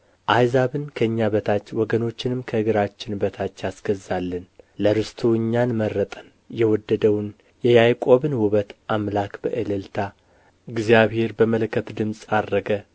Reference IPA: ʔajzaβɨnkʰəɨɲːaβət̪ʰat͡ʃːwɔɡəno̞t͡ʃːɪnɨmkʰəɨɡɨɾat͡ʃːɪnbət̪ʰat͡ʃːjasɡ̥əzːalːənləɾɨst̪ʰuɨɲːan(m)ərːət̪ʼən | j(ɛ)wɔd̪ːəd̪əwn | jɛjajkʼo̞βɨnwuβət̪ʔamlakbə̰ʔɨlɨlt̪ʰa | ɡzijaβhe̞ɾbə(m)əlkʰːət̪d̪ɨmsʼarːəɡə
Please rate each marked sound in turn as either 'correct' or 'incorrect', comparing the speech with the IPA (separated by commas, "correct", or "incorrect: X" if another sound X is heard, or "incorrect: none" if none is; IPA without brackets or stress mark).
correct, correct, correct